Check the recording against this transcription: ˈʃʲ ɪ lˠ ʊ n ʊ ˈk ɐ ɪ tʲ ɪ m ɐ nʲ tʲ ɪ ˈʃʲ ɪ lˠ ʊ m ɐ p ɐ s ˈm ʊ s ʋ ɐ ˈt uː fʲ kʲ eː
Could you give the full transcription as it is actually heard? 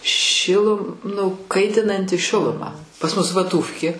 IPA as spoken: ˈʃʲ ɪ lˠ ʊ n ʊ ˈk ɐ ɪ tʲ ɪ n ɐ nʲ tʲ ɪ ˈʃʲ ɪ lˠ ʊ m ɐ p ɐ s ˈm ʊ s ʋ ɐ ˈt uː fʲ kʲ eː